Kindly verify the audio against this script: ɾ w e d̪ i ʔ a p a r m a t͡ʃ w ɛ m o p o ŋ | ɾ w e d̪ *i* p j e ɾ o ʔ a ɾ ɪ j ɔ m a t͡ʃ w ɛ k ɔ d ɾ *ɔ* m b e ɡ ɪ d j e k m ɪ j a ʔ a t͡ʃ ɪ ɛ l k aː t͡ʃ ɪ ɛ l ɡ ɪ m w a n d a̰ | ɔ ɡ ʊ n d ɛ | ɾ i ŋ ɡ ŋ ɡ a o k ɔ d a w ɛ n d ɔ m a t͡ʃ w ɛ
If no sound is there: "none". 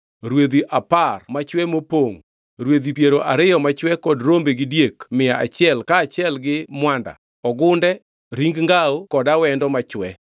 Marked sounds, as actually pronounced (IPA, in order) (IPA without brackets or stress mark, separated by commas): i, o